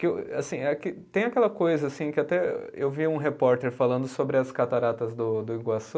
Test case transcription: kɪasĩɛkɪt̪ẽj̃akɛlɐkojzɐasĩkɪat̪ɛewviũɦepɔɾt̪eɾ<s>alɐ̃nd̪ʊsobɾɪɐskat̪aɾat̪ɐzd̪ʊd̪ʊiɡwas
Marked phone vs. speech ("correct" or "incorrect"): incorrect